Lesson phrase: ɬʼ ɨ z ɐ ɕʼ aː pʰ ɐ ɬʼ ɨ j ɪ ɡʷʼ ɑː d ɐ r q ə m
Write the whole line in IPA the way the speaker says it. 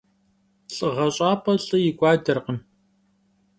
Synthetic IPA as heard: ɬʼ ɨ ʁ ɐ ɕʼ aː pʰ ɐ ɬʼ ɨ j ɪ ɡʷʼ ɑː d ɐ r q ə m